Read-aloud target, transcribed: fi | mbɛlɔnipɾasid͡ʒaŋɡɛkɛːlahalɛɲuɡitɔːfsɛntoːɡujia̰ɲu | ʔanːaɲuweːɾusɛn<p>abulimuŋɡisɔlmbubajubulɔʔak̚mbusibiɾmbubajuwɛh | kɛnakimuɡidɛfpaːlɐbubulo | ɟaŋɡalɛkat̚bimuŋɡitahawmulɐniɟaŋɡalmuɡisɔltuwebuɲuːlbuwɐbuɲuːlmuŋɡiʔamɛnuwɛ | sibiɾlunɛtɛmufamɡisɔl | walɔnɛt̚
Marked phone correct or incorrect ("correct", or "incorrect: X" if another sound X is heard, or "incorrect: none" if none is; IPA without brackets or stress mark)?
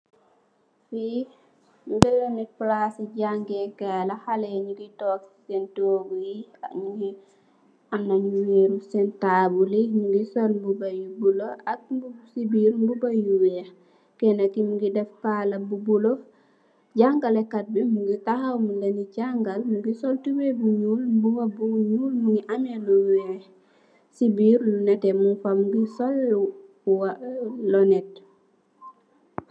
incorrect: t